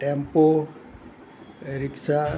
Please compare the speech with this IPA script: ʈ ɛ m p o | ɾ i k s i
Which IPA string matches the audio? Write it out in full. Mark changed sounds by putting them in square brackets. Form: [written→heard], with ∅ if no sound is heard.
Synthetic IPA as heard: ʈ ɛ m p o | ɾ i k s [i→a]